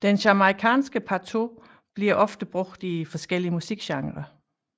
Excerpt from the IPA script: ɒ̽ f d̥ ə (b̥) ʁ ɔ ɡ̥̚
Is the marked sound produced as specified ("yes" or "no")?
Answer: yes